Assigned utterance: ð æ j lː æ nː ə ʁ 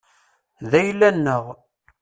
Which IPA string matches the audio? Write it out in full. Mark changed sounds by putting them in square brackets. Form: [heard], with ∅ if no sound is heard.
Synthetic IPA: ð æ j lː æ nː ə ʁ